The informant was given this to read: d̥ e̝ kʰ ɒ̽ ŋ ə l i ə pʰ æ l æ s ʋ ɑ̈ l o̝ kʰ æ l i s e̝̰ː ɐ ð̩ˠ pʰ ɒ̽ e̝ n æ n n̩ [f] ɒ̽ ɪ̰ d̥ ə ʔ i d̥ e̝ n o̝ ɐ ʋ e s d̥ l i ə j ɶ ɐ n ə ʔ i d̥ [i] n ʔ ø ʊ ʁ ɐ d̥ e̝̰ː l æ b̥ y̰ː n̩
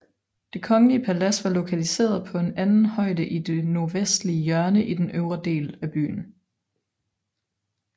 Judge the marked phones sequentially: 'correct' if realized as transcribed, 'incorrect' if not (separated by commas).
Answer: incorrect, incorrect